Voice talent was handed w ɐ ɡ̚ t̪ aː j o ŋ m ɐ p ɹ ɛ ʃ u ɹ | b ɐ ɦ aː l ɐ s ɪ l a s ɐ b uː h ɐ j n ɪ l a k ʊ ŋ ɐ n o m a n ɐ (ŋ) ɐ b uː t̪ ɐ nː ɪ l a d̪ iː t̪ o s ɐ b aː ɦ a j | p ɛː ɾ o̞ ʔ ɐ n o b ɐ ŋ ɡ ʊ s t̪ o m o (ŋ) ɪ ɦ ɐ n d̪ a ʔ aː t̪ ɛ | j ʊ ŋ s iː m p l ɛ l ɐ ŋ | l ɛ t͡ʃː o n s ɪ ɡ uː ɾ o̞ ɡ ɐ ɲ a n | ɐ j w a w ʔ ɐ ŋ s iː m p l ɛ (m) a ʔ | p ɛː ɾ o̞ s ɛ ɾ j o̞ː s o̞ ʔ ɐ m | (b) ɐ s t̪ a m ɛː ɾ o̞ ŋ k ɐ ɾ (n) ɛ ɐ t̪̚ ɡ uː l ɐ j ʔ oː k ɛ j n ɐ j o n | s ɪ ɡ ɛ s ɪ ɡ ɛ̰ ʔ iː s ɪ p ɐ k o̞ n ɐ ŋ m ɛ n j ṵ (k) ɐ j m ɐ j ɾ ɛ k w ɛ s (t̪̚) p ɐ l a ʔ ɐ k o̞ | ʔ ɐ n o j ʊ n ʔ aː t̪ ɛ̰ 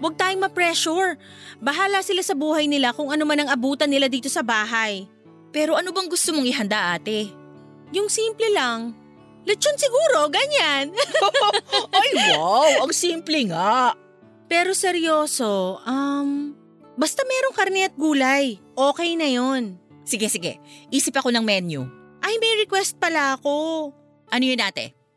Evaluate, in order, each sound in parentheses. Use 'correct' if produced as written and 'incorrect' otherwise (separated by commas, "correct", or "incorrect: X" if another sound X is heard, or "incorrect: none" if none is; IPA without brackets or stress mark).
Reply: correct, correct, incorrect: ŋ, correct, correct, incorrect: ʔ, correct